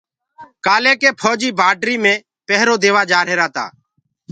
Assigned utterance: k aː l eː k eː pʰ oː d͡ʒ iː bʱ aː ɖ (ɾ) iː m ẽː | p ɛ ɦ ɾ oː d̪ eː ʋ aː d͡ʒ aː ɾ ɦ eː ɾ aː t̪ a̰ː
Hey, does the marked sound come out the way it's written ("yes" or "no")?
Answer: yes